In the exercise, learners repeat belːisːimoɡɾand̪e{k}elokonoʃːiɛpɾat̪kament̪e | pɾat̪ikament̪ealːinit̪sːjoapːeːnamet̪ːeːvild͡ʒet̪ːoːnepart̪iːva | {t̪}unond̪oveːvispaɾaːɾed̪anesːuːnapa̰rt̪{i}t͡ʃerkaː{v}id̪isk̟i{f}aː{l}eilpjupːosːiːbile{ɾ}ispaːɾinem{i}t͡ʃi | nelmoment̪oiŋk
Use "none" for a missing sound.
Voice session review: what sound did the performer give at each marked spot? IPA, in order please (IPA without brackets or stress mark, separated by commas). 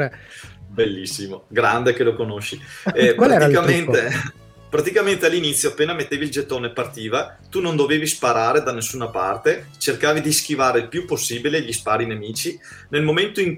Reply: k, t̪, e, v, v, ɾ, ʎ, iː